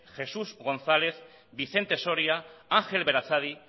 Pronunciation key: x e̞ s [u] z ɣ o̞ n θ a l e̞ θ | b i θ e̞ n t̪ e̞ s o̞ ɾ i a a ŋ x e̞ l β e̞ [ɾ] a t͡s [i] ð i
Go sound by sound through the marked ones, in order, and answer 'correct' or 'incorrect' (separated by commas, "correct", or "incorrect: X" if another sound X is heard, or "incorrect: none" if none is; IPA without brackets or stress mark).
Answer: correct, correct, incorrect: a